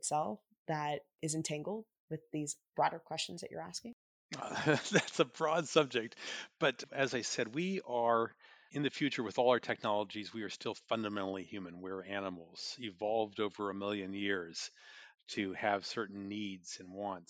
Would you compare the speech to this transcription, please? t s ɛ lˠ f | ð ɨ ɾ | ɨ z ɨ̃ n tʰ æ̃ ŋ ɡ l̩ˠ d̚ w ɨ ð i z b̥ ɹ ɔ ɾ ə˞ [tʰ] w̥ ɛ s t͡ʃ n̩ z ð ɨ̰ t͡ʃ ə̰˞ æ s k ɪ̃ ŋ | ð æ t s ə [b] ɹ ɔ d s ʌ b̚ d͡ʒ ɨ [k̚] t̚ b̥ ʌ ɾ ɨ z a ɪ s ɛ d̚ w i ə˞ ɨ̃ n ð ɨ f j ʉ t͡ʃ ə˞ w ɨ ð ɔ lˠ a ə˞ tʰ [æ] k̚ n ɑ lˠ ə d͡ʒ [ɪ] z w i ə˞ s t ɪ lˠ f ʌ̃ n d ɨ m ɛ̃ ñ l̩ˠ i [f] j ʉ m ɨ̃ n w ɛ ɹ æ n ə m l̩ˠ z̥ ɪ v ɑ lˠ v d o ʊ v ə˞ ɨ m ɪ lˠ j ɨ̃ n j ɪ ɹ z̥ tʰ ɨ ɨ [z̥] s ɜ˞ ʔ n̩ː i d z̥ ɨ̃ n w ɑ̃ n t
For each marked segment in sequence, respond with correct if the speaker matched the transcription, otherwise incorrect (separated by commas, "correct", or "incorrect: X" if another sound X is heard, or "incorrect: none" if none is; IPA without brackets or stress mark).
incorrect: kʰ, correct, correct, incorrect: ɛ, incorrect: i, incorrect: h, incorrect: v̥